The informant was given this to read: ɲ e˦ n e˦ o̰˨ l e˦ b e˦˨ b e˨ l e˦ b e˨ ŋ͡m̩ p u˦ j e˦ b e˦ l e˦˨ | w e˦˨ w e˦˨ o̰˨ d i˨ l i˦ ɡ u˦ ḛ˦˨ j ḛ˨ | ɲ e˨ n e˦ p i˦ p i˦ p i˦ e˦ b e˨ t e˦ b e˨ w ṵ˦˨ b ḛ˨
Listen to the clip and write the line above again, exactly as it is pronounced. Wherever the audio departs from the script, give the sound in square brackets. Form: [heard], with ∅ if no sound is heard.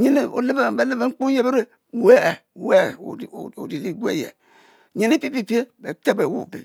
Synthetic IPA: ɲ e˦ n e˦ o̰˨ l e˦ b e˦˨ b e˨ l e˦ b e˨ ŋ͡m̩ [k͡p] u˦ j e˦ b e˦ [ɾ] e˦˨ | w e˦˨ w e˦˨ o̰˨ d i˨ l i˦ ɡ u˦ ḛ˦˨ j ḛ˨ | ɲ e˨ n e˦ p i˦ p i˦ p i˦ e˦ b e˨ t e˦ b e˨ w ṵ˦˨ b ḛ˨